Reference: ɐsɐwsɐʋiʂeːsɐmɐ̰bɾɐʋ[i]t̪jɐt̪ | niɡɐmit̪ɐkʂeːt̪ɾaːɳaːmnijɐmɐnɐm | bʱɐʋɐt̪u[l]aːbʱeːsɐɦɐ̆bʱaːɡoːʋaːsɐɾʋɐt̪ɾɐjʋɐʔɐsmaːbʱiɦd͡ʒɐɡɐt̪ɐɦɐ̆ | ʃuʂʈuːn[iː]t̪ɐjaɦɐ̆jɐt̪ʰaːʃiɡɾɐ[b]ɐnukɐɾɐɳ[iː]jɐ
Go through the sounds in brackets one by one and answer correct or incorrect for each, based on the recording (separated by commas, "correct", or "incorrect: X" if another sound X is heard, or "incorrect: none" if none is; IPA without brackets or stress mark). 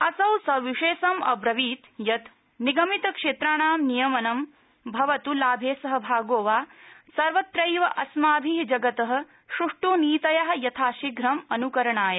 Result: incorrect: iː, correct, correct, incorrect: m, incorrect: aː